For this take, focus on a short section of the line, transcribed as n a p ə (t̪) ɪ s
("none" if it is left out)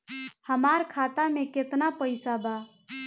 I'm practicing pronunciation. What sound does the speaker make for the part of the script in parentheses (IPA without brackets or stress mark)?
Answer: none